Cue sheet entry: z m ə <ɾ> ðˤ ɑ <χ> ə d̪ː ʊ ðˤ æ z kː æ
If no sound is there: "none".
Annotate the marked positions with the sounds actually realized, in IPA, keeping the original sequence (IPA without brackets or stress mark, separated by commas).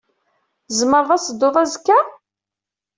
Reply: ɾ, s